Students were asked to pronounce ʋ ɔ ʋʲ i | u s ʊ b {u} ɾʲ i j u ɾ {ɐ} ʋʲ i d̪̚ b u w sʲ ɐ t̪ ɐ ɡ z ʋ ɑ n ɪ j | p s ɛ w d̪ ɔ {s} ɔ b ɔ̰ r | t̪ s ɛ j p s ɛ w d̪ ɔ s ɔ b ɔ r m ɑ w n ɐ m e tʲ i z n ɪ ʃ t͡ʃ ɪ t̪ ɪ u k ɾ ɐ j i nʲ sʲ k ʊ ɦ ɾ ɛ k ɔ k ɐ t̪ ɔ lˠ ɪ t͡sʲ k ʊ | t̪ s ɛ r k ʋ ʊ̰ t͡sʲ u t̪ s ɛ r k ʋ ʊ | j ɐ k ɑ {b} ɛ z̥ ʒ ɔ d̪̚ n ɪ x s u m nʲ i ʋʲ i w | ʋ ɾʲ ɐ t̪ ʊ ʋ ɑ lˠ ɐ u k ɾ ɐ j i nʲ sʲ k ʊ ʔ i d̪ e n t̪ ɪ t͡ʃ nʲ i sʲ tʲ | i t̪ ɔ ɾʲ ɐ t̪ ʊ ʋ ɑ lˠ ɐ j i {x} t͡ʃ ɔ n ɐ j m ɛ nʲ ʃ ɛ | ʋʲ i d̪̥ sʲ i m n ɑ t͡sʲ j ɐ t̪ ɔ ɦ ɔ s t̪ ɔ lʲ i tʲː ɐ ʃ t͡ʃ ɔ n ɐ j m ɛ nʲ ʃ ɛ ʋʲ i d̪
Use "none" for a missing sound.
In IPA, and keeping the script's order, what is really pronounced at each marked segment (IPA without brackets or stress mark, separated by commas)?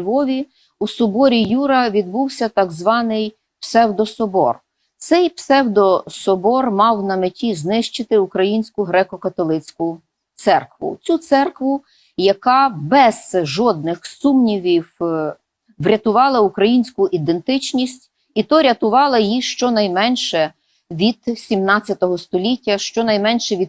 ɔ, ɐ, s, b, ʃ